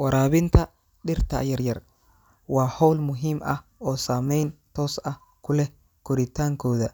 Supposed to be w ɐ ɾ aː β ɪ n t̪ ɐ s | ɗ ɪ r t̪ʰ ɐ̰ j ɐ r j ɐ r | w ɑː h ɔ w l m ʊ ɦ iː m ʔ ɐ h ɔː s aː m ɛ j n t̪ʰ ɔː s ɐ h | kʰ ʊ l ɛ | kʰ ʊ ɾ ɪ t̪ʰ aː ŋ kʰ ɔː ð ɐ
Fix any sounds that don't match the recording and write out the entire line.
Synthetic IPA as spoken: w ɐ ɾ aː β ɪ n t̪ʰ ɐ | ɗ ɪ r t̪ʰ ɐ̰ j ɐ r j ɐ r | w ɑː h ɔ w l m ʊ ɦ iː m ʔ ɐ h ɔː s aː m ɛ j n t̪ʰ ɔː s ɐ h | kʰ ʊ l ɛ | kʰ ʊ ɾ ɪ t̪ʰ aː ŋ kʰ ɔː ð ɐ

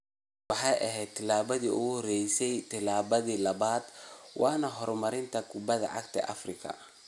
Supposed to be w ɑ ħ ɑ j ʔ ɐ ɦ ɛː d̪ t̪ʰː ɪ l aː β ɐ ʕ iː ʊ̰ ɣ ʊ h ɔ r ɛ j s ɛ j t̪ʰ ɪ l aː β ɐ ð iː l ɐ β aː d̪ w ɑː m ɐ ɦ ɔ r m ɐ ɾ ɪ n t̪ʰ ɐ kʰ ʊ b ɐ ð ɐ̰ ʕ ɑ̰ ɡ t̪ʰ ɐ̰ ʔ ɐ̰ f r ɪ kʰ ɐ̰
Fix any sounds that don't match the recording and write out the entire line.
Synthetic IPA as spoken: w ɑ ħ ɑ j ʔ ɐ ɦ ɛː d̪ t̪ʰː ɪ l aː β ɐ ð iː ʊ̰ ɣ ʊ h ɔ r ɛ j s ɛ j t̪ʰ ɪ l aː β ɐ ð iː l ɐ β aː d̪ w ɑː n ɐ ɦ ɔ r m ɐ ɾ ɪ n t̪ʰ ɐ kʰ ʊ b ɐ ð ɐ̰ ʕ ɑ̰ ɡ t̪ʰ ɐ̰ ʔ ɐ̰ f r ɪ kʰ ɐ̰

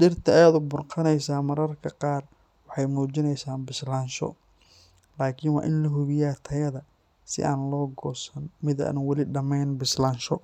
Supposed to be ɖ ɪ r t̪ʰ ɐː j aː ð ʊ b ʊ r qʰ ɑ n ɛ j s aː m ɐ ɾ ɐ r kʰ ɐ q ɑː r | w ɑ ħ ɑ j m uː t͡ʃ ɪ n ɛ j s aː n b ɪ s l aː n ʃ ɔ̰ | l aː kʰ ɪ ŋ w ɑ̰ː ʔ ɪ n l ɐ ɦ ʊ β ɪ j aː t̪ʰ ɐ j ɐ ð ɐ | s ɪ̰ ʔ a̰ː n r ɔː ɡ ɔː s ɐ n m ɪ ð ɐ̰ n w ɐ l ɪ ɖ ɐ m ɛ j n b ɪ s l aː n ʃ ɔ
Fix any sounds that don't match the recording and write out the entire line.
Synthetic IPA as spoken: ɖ ɪ r t̪ʰ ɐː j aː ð ʊ b ʊ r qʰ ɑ n ɛ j s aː m ɐ ɾ ɐ r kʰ ɐ q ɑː r | w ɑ ħ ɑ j m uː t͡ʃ ɪ n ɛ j s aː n b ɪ s l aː n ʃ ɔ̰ | l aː kʰ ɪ n w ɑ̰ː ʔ ɪ n l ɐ ɦ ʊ β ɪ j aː t̪ʰ ɐ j ɐ ð ɐ | s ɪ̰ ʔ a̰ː n l ɔː ɡ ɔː s ɐ n m ɪ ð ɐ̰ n w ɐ l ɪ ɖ ɐ m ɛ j n b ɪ s l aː n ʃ ɔ

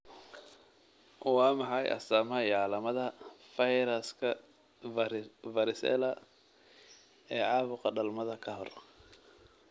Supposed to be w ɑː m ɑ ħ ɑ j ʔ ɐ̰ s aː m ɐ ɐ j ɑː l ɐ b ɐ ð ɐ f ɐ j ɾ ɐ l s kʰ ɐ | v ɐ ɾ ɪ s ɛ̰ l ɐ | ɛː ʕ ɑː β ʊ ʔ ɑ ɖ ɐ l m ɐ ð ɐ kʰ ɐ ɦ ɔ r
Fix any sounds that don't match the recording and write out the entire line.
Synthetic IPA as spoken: w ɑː m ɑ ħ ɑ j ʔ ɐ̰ s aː m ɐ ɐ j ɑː l ɐ m ɐ ð ɐ f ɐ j ɾ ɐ s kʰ ɐ | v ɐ ɾ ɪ s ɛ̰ l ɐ | ɛː ʕ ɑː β ʊ q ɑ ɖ ɐ l m ɐ ð ɐ kʰ ɐ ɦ ɔ r

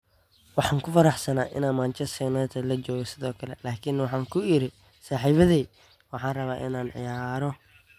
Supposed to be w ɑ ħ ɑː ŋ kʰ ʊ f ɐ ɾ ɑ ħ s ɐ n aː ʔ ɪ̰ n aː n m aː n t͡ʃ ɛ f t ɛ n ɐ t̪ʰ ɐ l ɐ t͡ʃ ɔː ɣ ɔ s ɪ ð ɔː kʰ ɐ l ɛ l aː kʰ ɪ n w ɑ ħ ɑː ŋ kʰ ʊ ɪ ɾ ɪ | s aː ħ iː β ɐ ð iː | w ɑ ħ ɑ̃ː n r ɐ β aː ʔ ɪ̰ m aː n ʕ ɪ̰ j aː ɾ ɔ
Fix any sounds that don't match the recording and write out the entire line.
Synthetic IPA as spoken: w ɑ ħ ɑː ŋ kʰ ʊ f ɐ ɾ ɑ ħ s ɐ n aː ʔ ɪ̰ n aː n m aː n t͡ʃ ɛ s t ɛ n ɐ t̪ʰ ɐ l ɐ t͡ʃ ɔː ɣ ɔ s ɪ ð ɔː kʰ ɐ l ɛ l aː kʰ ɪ n w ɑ ħ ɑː ŋ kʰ ʊ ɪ ɾ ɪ | s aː ħ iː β ɐ ð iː | w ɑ ħ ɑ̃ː n r ɐ β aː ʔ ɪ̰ n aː n ʕ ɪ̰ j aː ɾ ɔ

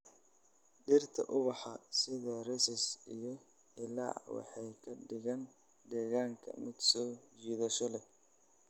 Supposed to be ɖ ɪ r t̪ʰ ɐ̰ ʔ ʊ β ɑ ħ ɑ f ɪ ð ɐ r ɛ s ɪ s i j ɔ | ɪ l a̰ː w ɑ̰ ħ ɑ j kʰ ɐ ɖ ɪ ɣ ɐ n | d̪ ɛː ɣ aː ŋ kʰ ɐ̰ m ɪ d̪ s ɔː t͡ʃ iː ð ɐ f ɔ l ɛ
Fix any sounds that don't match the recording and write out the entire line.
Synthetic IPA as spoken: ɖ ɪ r t̪ʰ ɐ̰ ʔ ʊ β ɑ ħ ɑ s ɪ ð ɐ r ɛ s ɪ s i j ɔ | ɪ l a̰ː w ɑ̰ ħ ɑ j kʰ ɐ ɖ ɪ ɣ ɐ n | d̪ ɛː ɣ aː ŋ kʰ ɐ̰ m ɪ d̪ s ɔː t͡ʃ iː ð ɐ ʃ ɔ l ɛ

